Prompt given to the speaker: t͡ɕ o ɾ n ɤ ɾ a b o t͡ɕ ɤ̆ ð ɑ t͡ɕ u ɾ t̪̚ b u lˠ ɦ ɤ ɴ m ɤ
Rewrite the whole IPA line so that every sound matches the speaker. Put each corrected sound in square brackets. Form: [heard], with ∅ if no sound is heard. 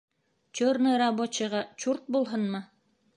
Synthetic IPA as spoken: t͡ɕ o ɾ n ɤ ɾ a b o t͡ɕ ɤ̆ [ʁ] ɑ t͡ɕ u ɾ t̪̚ b u lˠ ɦ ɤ [n] m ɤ

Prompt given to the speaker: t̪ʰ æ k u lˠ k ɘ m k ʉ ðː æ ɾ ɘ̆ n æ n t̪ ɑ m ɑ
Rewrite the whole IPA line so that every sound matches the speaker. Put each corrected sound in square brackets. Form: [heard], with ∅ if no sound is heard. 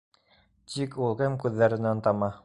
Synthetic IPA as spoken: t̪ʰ [i] k u lˠ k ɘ m k ʉ ðː æ ɾ ɘ̆ n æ n t̪ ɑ m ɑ

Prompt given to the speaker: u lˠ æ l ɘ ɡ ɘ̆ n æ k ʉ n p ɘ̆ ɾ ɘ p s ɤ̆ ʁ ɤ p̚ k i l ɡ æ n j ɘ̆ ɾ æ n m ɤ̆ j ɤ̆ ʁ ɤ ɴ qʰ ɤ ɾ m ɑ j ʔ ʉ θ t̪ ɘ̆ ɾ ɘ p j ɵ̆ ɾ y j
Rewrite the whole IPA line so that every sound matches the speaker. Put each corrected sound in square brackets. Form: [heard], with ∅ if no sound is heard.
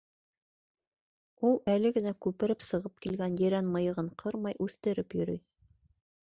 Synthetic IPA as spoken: u lˠ æ l ɘ ɡ ɘ̆ n æ k ʉ [∅] p ɘ̆ ɾ ɘ p s ɤ̆ ʁ ɤ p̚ k i l ɡ æ n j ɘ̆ ɾ æ n m ɤ̆ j ɤ̆ ʁ ɤ ɴ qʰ ɤ ɾ m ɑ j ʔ ʉ θ t̪ ɘ̆ ɾ ɘ p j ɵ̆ ɾ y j

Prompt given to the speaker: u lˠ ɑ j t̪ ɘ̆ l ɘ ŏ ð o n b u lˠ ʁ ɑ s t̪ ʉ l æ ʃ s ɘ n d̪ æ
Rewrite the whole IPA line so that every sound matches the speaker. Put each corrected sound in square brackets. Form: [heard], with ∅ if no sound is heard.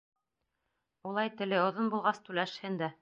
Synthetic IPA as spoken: u lˠ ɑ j t̪ ɘ̆ l ɘ ŏ ð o n b u lˠ ʁ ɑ s t̪ ʉ l æ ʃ [h] ɘ n d̪ æ

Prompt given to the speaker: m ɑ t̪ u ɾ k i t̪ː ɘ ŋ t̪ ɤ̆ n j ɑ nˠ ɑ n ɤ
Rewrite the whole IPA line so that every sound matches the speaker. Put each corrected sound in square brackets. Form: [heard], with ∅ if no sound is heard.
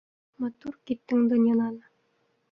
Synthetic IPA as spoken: m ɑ t̪ u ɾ k i t̪ː ɘ ŋ [d̪] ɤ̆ n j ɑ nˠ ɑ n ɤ

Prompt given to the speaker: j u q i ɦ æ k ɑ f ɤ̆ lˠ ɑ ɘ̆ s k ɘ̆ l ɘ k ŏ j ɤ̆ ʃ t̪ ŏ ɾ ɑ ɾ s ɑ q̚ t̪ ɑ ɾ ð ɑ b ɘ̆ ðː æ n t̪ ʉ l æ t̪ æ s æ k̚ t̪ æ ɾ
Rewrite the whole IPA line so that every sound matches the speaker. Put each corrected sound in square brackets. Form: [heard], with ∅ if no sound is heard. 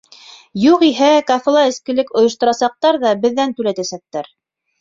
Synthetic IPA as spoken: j u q i ɦ æ k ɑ f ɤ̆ lˠ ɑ ɘ̆ s k ɘ̆ l ɘ k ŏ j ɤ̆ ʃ t̪ ŏ ɾ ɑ [∅] s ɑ q̚ t̪ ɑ ɾ ð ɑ b ɘ̆ ðː æ n t̪ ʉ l æ t̪ æ s æ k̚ t̪ æ ɾ

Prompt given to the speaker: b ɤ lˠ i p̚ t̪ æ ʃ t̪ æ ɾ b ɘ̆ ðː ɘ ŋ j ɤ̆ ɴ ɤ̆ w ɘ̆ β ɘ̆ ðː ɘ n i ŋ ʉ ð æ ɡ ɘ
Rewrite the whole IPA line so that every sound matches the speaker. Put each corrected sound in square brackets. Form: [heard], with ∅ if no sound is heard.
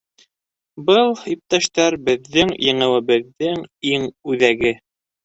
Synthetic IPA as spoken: b ɤ lˠ i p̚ t̪ æ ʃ t̪ æ ɾ b ɘ̆ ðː ɘ ŋ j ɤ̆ ɴ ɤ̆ w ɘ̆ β ɘ̆ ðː ɘ [ŋ] i ŋ ʉ ð æ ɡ ɘ

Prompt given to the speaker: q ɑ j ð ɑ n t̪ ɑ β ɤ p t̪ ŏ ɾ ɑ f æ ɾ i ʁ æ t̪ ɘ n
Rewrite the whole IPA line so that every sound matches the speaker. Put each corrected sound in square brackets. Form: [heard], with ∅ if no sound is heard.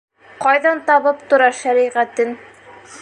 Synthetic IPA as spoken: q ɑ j ð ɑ n t̪ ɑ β ɤ p t̪ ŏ ɾ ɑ [ʃ] æ ɾ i ʁ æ t̪ ɘ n

